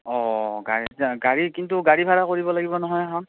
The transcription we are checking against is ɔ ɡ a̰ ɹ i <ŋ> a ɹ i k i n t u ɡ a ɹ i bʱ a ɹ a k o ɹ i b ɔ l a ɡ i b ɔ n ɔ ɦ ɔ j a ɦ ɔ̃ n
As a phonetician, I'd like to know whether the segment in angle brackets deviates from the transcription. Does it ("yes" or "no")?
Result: yes